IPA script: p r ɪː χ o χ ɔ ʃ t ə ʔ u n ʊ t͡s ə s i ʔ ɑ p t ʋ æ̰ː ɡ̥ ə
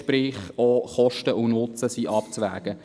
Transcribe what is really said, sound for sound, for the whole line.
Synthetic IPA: p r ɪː χ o χ ɔ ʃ t ə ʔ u n ʊ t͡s ə s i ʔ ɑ p t͡s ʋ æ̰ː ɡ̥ ə

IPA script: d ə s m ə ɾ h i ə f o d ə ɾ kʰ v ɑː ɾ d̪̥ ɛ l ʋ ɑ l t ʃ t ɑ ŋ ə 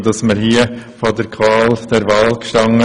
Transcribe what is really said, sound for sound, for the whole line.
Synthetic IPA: d ɑ s m ə ɾ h i ə f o d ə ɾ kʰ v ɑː l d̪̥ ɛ ɾ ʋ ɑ l k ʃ t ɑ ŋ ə

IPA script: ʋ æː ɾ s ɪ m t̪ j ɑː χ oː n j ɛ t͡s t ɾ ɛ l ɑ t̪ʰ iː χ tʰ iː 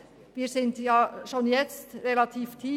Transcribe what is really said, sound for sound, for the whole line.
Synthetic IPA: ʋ iː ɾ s ɪ n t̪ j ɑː ʃ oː n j ɛ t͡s t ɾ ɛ l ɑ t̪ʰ iː f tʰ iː

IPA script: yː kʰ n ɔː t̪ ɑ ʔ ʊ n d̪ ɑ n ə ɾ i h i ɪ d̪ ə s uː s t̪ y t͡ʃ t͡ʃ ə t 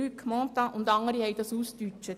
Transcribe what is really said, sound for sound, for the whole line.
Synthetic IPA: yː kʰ m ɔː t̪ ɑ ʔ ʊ n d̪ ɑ ŋ ə ɾ i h ɛ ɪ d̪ ɑ s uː s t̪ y t͡ʃ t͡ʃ ə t

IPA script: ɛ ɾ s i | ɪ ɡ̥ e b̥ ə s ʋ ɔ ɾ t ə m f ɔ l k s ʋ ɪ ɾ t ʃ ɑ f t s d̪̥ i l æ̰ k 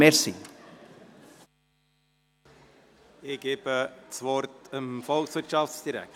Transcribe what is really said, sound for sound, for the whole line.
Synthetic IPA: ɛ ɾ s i | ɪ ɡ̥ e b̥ ə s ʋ ɔ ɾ t ə m f ɔ l k s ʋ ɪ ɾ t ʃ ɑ f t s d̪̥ i ɾ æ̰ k

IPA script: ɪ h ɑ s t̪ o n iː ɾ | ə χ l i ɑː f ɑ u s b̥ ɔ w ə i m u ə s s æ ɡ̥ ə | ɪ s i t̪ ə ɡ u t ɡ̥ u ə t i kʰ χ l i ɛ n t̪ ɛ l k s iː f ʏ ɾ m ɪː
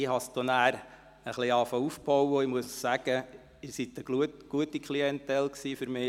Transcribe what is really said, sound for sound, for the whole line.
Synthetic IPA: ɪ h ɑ s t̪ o n æː ɾ | ə χ l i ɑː f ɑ u f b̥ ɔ w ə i m u ə s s æ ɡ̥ ə | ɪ s i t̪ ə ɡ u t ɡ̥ u ə t i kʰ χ l i ɛ n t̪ ɛ l k s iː f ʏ ɾ m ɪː

